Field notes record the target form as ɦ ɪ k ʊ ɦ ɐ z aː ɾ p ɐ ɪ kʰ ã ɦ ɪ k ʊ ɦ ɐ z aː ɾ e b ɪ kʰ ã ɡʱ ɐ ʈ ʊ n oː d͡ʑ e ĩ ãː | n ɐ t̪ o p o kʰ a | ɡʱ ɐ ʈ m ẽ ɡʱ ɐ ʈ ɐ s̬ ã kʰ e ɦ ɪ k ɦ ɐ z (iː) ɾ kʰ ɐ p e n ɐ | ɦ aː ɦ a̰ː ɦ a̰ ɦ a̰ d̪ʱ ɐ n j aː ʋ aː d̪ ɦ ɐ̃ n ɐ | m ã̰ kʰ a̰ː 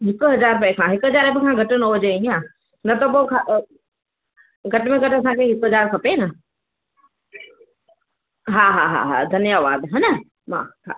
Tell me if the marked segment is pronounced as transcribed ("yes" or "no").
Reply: no